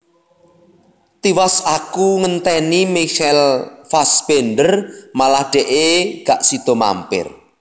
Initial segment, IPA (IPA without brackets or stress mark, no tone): t̪